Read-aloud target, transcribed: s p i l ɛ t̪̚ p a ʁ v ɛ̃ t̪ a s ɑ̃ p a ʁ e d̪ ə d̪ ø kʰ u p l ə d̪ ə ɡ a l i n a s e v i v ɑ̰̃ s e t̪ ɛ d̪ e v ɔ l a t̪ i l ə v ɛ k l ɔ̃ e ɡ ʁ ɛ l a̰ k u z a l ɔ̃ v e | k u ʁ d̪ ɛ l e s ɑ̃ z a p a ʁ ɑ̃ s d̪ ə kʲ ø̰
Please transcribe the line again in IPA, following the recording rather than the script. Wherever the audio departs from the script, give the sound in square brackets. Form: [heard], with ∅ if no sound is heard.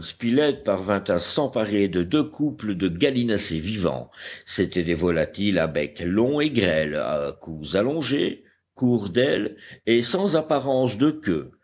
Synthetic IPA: s p i l ɛ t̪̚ p a ʁ v ɛ̃ t̪ a s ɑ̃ p a ʁ e d̪ ə d̪ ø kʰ u p l ə d̪ ə ɡ a l i n a s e v i v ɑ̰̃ s e t̪ ɛ d̪ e v ɔ l a t̪ i l [a] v ɛ k l ɔ̃ e ɡ ʁ ɛ l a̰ k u z a l ɔ̃ [ʒ] e | k u ʁ d̪ ɛ l e s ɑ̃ z a p a ʁ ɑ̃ s d̪ ə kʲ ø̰